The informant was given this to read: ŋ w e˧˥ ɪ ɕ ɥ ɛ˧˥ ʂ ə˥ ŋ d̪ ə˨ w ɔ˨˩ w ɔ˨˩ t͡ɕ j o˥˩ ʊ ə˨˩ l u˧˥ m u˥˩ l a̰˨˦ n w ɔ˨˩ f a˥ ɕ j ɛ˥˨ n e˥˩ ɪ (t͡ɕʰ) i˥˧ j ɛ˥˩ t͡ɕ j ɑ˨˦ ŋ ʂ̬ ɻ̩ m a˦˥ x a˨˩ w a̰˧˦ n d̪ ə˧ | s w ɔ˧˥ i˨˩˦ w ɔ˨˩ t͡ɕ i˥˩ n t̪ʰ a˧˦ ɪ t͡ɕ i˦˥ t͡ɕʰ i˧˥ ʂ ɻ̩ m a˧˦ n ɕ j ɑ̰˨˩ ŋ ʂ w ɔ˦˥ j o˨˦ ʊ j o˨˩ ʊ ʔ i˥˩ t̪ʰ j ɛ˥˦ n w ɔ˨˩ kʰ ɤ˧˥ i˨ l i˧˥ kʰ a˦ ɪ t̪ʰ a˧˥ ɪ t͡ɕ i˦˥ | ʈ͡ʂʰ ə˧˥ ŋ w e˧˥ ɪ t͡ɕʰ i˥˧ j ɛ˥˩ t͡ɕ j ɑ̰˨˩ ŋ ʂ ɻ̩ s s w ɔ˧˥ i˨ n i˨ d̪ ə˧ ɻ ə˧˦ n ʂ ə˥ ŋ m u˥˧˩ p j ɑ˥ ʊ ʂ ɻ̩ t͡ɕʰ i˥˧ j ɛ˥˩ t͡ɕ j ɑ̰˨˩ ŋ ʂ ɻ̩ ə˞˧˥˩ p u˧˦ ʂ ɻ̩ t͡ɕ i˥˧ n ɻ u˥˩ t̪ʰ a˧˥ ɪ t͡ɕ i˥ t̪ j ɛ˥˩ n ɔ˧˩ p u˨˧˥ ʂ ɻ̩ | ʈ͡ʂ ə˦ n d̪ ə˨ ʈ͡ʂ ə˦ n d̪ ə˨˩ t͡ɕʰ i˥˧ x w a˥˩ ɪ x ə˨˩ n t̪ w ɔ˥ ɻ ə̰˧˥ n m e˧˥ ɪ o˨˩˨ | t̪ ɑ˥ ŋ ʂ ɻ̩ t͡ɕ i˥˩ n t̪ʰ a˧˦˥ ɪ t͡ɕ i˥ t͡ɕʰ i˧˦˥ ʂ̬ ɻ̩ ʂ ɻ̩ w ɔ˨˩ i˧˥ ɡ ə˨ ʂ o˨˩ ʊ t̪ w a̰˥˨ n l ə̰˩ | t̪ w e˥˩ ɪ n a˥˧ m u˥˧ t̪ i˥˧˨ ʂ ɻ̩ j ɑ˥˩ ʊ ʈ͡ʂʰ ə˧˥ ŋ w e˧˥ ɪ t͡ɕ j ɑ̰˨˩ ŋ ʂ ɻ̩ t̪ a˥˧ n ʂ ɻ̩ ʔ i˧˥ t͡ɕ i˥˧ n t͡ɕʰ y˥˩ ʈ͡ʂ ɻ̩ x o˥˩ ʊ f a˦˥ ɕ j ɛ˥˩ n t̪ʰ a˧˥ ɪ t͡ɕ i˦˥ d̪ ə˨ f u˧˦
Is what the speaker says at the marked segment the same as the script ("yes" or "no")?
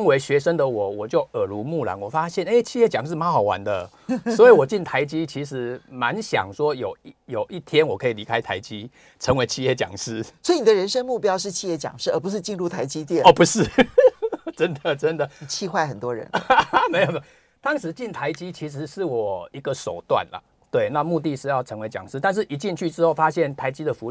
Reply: yes